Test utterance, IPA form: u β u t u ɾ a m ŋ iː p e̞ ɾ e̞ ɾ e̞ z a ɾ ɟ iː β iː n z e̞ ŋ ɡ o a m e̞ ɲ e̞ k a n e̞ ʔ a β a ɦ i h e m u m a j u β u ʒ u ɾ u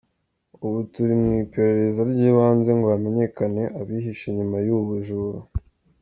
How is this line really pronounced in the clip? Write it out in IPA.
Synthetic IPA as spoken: u β u t u ɾ i m ŋ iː p e̞ ɾ e̞ ɾ e̞ z a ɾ ɟ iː β aː n z e̞ ŋ ɡ o a m e̞ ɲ e̞ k a n e̞ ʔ a β i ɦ i ʃ e ɲ u m a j u β u ʒ u ɾ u